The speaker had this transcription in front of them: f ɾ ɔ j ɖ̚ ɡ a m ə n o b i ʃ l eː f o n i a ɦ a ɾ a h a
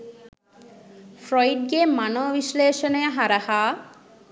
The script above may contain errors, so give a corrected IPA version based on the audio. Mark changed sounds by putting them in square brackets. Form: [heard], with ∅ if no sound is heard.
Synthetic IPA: f ɾ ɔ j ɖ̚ ɡ [e] m [a] n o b i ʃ l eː [ʃ] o n [e] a ɦ a ɾ a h a